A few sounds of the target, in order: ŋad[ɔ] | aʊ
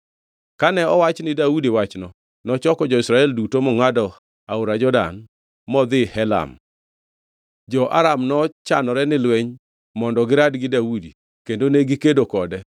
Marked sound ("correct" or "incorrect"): correct